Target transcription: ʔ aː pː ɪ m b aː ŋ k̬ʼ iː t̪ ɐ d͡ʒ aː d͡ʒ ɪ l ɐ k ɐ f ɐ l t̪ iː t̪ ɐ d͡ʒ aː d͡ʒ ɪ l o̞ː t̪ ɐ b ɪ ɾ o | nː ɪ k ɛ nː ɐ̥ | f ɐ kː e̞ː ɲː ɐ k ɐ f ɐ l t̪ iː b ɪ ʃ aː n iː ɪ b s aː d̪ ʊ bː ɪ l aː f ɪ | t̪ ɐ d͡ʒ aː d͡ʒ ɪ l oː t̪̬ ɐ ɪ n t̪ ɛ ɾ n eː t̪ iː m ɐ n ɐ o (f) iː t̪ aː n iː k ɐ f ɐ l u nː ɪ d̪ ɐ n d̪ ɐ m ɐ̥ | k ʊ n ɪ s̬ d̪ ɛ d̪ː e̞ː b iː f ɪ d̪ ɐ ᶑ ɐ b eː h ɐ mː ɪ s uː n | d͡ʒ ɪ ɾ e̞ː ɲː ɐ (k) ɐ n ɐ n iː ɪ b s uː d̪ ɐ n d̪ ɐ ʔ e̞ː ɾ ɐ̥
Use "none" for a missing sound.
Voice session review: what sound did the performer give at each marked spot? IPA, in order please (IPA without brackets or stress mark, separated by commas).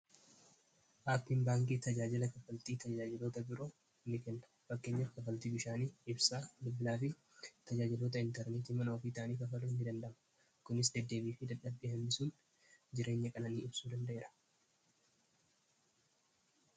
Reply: f, kʼ